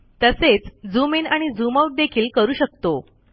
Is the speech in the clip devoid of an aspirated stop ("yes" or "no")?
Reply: no